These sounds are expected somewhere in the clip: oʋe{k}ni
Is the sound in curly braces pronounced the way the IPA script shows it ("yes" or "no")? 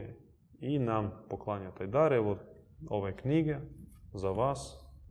yes